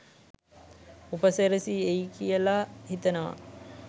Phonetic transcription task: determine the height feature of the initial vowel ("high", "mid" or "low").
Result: high